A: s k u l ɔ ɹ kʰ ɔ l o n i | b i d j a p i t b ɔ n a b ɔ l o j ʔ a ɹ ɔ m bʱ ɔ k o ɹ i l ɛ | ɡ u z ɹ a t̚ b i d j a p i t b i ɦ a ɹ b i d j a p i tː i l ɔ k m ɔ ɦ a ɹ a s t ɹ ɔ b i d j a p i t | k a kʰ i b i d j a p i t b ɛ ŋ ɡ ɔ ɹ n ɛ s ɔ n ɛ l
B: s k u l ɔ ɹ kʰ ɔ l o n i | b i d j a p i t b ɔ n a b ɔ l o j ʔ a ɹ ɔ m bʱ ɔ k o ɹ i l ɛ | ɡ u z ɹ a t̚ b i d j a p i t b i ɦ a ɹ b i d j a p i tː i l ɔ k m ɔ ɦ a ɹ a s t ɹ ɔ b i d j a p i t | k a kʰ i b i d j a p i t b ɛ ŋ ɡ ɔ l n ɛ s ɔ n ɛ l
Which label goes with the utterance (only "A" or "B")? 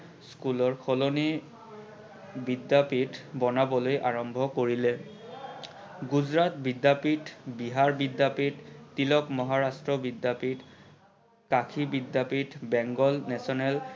B